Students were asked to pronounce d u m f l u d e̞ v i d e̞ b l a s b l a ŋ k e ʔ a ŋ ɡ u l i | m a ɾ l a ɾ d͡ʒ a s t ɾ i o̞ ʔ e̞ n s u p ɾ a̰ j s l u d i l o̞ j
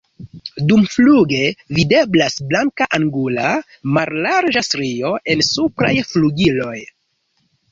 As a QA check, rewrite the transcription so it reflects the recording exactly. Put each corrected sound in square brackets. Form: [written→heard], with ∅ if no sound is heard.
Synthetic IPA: d u m f l u [d→ɡ] e̞ v i d e̞ b l a s b l a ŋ k [e→a] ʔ a ŋ ɡ u l [i→a] | m a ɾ l a ɾ d͡ʒ a s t ɾ i o̞ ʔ e̞ n s u p ɾ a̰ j [s→f] l u [d→ɡ] i l o̞ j